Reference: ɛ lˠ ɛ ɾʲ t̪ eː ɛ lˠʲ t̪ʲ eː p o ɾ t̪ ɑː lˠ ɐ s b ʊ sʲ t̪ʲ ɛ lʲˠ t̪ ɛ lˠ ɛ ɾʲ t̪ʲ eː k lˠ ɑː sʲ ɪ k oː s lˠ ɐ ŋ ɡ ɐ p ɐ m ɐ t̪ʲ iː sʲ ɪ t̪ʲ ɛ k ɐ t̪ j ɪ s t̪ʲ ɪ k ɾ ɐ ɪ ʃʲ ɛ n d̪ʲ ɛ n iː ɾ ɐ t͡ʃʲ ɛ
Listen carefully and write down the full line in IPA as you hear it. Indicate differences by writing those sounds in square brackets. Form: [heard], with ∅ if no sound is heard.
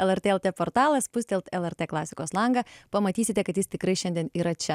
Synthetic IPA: ɛ lˠ ɛ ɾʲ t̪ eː ɛ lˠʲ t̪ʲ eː p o ɾ t̪ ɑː lˠ ɐ s [p] ʊ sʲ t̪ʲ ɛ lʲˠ t̪ ɛ lˠ ɛ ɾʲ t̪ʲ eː k lˠ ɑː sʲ ɪ k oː s lˠ ɐ ŋ ɡ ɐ p ɐ m ɐ t̪ʲ iː sʲ ɪ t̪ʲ ɛ k ɐ t̪ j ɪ s t̪ʲ ɪ k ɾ ɐ ɪ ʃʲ ɛ n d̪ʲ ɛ n iː ɾ ɐ t͡ʃʲ ɛ